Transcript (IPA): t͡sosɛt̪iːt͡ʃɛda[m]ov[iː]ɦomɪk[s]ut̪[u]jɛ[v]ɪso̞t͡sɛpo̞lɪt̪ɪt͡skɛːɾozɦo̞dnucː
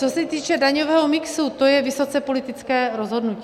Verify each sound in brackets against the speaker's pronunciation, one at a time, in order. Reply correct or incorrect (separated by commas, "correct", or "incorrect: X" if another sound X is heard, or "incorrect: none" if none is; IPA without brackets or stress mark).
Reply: incorrect: ɲ, incorrect: ɛː, correct, incorrect: o, correct